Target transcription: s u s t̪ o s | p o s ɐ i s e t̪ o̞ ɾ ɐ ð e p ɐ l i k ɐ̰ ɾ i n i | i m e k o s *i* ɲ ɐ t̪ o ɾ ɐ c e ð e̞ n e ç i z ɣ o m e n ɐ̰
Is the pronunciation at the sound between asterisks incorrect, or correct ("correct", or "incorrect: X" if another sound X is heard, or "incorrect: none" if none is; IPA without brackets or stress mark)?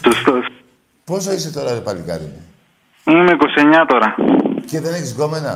incorrect: e